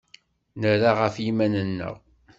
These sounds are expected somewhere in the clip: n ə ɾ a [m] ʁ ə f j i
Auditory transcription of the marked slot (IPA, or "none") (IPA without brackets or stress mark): none